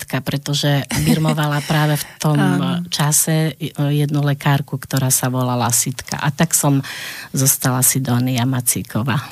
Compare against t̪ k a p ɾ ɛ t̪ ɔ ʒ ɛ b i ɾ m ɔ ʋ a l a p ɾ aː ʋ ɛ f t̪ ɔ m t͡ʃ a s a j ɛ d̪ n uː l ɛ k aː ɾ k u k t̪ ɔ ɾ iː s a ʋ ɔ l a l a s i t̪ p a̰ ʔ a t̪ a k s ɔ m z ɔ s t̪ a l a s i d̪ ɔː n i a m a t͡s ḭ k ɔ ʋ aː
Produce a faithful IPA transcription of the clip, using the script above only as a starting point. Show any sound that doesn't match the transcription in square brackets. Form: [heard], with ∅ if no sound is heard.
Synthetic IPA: t̪ k a p ɾ ɛ t̪ ɔ ʒ ɛ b i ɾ m ɔ ʋ a l a p ɾ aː ʋ ɛ f t̪ ɔ m t͡ʃ a s [ɛ] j ɛ d̪ n [u] l ɛ k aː ɾ k u k t̪ ɔ ɾ [aː] s a ʋ ɔ l a l a s i t̪ [k] a̰ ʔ a t̪ a k s ɔ m z ɔ s t̪ a l a s i d̪ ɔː n i a m a t͡s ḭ k ɔ ʋ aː